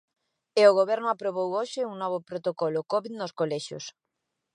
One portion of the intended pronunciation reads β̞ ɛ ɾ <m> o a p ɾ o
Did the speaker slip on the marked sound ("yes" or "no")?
yes